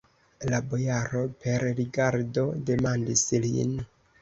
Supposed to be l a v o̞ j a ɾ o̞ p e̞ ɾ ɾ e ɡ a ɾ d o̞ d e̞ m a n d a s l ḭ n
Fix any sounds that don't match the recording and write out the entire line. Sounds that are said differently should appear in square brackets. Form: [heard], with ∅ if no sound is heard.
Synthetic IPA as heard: l a [b] o̞ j a ɾ o̞ p e̞ ɾ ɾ [i] ɡ a ɾ d o̞ d e̞ m a n d [i] s l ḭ n